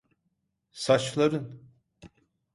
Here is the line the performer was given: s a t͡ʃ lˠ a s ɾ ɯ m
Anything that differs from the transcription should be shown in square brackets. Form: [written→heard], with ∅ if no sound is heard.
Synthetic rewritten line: s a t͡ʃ lˠ a [s→∅] ɾ ɯ [m→n]

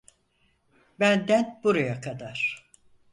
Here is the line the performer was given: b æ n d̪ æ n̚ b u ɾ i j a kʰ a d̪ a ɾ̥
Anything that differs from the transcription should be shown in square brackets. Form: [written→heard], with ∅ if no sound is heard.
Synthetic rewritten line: b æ n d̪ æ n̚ b u ɾ [i→a] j a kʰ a d̪ a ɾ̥

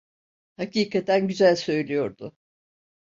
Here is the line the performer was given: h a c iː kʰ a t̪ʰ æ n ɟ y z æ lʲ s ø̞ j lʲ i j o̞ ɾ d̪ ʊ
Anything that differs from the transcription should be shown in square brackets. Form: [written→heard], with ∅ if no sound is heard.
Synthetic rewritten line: h a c iː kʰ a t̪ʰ æ n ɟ y z æ lʲ s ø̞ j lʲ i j o̞ ɾ d̪ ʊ

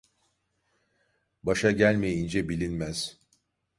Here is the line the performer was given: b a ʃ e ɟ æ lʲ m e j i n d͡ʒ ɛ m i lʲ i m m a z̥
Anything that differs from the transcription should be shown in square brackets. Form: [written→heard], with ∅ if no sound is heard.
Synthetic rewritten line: b a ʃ [e→a] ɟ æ lʲ m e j i n d͡ʒ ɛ [m→b] i lʲ i [m→n] m [a→æ] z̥

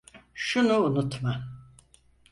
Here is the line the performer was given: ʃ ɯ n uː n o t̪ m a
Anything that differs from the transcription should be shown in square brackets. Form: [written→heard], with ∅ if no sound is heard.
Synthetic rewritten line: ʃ [ɯ→u] n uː n [o→u] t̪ m a

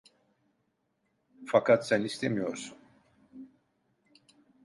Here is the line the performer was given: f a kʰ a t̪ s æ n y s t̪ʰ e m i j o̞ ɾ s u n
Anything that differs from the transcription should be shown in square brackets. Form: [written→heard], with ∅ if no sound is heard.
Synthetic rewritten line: f a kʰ a t̪ s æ n [y→i] s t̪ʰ e m i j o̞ ɾ s u n

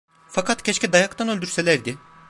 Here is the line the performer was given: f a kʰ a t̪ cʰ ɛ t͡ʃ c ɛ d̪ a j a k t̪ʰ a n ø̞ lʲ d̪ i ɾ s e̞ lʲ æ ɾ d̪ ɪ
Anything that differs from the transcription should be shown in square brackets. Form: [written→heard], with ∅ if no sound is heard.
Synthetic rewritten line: f a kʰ a t̪ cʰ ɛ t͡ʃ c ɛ d̪ a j a k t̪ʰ a n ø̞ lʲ d̪ [i→y] ɾ s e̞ lʲ æ ɾ d̪ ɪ

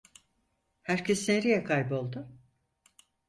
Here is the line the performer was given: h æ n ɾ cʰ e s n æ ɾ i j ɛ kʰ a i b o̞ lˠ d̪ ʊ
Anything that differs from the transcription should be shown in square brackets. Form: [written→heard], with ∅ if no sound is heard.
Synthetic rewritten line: h æ [n→∅] ɾ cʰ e s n [æ→e] ɾ i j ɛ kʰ a [i→j] b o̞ lˠ d̪ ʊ

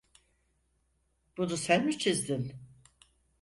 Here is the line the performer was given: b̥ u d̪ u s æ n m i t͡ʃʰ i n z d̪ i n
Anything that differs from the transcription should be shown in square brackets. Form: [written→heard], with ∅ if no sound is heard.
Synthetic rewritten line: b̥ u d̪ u s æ n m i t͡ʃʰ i [n→∅] z d̪ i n

